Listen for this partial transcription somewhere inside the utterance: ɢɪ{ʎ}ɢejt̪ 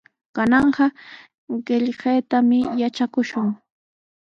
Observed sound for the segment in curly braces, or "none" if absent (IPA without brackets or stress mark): ʎ